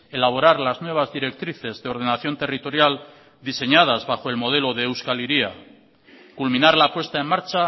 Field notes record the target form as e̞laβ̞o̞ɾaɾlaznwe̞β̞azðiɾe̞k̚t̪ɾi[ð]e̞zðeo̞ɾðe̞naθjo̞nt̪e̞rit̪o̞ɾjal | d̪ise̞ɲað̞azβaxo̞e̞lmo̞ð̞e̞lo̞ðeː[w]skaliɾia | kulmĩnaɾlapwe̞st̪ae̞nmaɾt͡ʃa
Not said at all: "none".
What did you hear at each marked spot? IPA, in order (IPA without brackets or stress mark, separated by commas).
θ, w